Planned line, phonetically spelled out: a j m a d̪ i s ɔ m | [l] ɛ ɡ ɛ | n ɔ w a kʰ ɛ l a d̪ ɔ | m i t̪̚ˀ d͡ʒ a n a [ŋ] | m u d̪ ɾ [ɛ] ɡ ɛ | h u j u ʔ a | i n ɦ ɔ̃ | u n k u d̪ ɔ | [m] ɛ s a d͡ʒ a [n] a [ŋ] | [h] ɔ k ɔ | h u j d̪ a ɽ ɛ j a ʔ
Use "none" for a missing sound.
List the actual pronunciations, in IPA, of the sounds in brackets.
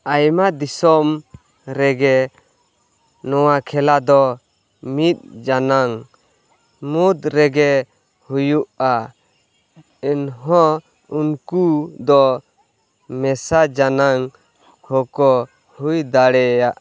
ɾ, ŋ, ɛ, m, n, ŋ, h

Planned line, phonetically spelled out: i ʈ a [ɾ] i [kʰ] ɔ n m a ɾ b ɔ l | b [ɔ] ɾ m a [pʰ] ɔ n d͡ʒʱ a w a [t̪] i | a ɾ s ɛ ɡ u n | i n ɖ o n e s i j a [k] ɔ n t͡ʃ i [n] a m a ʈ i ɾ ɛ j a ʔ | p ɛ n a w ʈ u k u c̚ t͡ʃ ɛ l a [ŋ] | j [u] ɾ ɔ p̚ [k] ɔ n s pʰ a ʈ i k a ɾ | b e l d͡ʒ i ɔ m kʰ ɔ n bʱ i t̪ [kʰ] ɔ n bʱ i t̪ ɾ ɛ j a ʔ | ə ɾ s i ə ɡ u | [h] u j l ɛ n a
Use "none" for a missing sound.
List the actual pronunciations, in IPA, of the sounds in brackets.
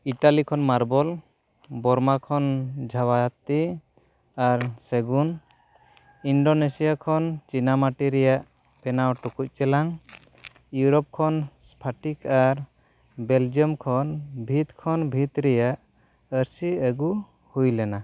l, kʰ, ɔ, kʰ, t̪, kʰ, n, ŋ, u, kʰ, kʰ, h

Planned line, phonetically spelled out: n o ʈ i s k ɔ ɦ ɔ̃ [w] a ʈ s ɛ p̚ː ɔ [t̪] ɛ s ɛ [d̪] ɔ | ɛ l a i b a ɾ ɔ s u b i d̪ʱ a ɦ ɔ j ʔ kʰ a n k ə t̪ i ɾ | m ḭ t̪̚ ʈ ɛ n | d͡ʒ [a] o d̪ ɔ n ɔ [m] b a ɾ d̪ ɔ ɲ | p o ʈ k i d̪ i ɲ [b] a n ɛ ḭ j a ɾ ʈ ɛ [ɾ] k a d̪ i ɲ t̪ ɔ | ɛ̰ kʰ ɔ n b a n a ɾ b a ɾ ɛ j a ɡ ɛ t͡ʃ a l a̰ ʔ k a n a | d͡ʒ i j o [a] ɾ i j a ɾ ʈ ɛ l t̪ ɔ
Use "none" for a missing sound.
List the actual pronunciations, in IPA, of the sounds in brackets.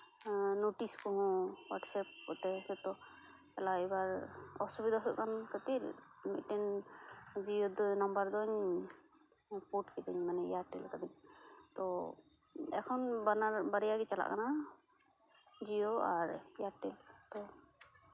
w, t̪, t̪, i, m, m, l, a

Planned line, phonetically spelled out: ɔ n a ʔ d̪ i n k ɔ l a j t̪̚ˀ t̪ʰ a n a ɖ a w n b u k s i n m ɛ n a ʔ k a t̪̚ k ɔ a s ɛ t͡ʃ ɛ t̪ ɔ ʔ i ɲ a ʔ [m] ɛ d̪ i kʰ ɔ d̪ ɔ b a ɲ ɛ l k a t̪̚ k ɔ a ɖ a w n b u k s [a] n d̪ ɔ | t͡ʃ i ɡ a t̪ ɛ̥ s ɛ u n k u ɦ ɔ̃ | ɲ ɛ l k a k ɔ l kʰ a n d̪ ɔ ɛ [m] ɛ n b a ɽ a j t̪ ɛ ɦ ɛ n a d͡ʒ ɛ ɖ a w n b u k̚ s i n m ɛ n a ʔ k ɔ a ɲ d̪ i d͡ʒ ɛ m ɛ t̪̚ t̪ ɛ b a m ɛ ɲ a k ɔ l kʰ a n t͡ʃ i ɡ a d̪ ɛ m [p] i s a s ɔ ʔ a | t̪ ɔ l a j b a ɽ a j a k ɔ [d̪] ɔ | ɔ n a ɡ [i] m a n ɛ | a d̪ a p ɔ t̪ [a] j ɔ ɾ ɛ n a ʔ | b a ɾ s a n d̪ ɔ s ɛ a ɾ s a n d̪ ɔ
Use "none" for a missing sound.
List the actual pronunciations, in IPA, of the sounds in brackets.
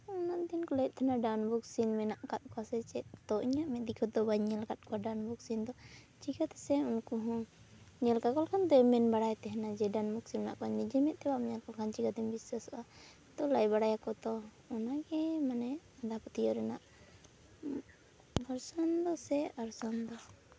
m, i, m, b, t̪, ɛ, i

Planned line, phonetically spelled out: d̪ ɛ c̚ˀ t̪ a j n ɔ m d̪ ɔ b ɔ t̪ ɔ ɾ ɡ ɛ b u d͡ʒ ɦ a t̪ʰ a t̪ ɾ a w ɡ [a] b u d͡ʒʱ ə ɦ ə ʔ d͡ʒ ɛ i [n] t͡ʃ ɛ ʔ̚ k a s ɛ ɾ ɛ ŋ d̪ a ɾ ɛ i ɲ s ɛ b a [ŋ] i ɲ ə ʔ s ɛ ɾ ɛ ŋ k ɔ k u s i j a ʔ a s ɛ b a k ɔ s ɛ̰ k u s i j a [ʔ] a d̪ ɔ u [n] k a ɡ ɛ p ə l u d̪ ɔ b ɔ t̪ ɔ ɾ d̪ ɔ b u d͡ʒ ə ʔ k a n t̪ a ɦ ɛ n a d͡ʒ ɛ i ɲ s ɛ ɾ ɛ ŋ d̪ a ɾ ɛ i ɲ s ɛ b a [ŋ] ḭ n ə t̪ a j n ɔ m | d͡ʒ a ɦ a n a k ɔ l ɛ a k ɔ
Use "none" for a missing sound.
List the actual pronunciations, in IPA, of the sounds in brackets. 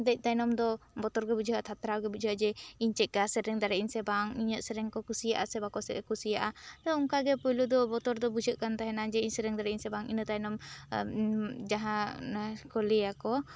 ɛ, ɲ, ŋ, ʔ, ŋ, ŋ

